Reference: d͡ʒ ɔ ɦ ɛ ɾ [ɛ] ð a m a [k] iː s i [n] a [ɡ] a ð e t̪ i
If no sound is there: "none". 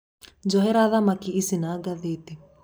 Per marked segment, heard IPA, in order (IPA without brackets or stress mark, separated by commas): a, k, n, ɡ